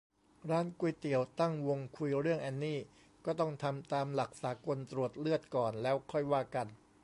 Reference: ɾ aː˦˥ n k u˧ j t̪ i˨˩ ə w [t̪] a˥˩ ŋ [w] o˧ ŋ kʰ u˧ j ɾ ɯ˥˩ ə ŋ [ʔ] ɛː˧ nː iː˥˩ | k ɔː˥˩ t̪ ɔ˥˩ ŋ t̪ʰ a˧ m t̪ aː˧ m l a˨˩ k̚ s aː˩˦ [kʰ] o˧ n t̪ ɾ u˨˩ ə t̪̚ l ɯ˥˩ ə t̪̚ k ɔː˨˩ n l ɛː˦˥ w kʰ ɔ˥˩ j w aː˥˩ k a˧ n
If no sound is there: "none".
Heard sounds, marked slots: t̪, w, ʔ, k

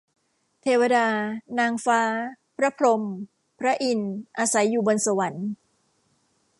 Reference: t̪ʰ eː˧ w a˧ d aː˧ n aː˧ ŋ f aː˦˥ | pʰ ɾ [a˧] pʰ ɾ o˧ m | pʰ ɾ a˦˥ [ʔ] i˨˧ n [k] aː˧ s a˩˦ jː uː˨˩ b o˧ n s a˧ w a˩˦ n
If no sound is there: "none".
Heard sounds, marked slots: a˦˥, ʔ, ʔ

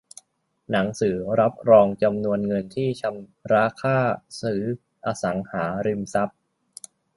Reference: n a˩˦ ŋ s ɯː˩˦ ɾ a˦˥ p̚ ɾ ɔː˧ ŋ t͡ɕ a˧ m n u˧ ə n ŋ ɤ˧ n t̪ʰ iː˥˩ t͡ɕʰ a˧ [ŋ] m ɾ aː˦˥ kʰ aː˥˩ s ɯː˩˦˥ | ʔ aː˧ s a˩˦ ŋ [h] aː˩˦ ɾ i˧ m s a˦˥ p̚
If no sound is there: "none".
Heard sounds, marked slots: none, h

